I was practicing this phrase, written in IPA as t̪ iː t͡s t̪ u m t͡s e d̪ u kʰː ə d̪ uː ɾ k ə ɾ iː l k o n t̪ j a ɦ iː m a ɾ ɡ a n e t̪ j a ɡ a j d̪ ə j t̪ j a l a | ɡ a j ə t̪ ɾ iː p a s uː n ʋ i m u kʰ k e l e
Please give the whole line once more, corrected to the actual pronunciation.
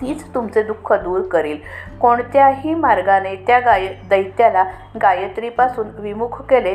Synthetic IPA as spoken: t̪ iː t͡s t̪ u m t͡s e d̪ u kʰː ə d̪ uː ɾ k ə ɾ iː l k o ɳ t̪ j a ɦ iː m a ɾ ɡ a n e t̪ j a ɡ a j d̪ ə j t̪ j a l a | ɡ a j ə t̪ ɾ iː p a s uː n ʋ i m u kʰ k e l e